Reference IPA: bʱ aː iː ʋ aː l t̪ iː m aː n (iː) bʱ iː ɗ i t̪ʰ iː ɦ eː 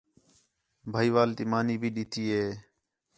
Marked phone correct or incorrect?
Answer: correct